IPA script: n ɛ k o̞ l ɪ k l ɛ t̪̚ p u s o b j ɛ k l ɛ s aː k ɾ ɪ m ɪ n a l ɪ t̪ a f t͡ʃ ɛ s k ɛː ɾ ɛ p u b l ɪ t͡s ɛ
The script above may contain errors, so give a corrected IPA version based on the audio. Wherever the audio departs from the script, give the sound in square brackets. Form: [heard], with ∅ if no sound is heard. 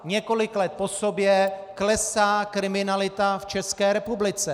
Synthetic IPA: [ɲ] ɛ k o̞ l ɪ k l ɛ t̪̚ p [o] s o b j ɛ k l ɛ s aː k ɾ ɪ m ɪ n a l ɪ t̪ a f t͡ʃ ɛ s k ɛː ɾ ɛ p u b l ɪ t͡s ɛ